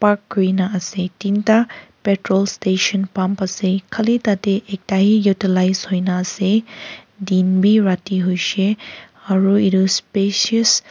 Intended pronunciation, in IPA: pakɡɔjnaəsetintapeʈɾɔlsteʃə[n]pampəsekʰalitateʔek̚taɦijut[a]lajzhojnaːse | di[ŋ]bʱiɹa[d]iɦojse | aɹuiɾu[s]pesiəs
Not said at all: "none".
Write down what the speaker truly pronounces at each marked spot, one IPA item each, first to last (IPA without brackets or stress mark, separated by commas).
n, i, n, t, s